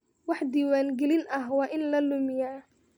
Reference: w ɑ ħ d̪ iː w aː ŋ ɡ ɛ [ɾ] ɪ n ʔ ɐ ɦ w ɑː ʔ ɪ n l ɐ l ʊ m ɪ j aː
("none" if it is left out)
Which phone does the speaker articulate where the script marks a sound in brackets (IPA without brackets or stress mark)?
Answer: l